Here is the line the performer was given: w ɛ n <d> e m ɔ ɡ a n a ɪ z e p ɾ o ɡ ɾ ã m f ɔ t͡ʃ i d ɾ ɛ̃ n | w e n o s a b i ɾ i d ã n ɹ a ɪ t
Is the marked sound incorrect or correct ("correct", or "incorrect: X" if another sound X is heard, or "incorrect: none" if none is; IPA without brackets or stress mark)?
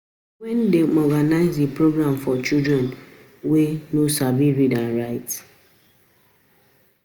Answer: correct